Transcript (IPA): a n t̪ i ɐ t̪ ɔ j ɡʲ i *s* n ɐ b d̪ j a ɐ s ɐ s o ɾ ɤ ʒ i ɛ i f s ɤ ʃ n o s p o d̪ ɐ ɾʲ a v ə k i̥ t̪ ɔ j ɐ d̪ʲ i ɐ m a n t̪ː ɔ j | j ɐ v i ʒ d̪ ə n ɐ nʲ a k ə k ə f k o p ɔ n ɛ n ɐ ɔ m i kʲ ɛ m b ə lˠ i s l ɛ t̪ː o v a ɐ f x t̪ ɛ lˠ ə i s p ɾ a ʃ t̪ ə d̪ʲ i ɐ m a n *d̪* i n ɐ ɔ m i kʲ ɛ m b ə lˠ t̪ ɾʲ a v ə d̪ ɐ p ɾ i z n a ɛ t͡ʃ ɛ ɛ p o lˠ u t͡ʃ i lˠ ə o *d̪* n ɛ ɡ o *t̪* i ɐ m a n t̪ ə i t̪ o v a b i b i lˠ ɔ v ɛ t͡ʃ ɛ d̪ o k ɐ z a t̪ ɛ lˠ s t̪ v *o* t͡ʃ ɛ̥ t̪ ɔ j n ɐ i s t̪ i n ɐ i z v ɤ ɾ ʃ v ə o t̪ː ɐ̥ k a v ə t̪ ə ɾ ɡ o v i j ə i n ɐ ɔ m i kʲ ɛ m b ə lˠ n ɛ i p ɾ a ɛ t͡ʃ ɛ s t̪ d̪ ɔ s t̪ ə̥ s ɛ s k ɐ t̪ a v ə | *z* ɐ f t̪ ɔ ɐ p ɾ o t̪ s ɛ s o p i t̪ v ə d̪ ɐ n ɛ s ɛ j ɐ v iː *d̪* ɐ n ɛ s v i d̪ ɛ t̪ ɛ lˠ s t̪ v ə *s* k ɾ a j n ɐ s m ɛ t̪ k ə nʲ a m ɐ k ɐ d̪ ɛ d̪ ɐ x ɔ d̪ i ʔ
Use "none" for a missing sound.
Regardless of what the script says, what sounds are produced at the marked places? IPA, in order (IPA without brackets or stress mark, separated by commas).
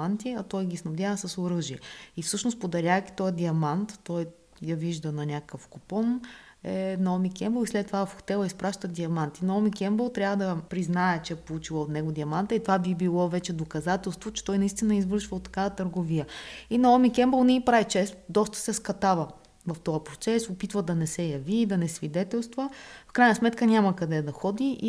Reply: s, t̪, t̪, d̪, o, v, d̪, f